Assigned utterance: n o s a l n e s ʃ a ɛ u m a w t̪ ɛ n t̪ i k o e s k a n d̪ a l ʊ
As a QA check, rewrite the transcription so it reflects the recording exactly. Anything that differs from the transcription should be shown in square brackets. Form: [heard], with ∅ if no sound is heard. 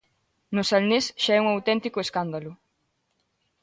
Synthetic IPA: n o s a l n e s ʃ a ɛ u [ŋ] a w t̪ ɛ n t̪ i k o e s k a n d̪ a l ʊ